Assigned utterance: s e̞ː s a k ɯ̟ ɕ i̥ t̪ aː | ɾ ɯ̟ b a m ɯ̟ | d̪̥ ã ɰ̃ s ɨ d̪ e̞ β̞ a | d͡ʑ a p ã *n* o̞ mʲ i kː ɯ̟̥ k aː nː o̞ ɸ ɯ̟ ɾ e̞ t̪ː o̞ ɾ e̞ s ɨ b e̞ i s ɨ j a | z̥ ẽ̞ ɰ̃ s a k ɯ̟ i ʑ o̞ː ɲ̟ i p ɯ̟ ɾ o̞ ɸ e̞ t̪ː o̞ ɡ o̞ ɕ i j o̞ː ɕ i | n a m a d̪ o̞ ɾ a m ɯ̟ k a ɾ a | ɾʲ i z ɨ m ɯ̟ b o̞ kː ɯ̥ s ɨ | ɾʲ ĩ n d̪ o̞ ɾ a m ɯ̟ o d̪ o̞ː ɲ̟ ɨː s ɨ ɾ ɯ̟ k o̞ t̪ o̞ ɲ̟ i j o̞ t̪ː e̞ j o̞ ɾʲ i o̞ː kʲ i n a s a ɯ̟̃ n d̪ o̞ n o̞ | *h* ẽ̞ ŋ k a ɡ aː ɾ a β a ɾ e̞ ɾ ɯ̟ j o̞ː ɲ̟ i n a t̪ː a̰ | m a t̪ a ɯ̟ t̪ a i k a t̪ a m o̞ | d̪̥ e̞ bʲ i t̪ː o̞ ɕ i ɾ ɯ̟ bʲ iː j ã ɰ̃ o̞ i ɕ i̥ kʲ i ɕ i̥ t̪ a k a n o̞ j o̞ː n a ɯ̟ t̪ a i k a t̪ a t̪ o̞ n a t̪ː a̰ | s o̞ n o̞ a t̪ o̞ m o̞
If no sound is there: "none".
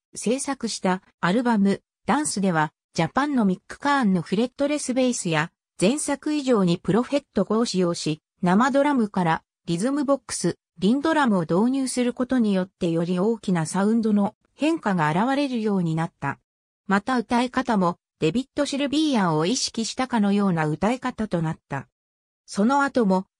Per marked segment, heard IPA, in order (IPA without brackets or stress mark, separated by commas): nː, h